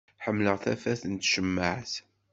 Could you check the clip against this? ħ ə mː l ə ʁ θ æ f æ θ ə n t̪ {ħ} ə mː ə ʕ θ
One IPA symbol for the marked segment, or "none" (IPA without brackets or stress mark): ʃ